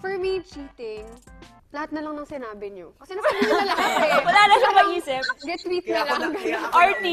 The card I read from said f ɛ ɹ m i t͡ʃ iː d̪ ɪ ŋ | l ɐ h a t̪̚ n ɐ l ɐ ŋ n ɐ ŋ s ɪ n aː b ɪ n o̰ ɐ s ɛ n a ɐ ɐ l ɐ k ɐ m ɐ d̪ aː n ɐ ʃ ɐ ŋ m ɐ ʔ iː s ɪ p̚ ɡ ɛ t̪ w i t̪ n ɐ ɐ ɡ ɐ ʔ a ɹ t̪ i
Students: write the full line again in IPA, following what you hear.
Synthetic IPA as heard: f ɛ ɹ m i t͡ʃ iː t̪ ɪ ŋ | l ɐ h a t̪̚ n ɐ l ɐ ŋ n ɐ ŋ s ɪ n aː b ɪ ɲ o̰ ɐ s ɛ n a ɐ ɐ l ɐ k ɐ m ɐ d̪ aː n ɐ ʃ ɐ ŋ m ɐ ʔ iː s ɪ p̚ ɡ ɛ t̪ w i t̪ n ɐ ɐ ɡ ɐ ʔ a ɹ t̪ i